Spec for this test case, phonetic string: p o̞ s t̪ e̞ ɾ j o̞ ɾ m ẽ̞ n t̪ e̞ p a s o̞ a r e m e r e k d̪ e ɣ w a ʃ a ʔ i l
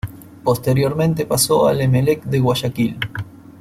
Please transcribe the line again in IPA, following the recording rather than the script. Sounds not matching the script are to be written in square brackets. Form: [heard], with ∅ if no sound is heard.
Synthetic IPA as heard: p o̞ s t̪ e̞ ɾ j o̞ ɾ m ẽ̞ n t̪ e̞ p a s o̞ a [l] e m e [l] e k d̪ e ɣ w a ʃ a [k] i l